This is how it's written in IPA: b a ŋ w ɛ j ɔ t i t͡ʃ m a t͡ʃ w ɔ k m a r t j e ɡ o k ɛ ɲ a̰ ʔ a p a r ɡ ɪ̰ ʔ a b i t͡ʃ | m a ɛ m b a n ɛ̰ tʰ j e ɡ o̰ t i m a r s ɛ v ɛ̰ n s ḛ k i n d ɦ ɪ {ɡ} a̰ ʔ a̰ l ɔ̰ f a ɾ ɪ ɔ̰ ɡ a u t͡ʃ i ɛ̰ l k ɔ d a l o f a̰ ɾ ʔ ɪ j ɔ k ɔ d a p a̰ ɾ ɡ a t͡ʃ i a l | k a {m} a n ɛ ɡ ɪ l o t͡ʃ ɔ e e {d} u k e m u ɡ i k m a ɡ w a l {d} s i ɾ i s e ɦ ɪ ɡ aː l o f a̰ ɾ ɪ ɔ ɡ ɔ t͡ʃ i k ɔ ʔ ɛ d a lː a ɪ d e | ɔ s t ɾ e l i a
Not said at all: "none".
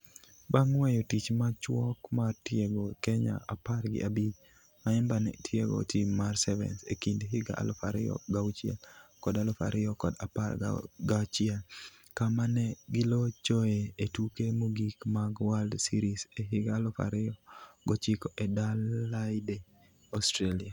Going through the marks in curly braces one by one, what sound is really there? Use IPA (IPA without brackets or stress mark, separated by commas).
ɡ, m, t, d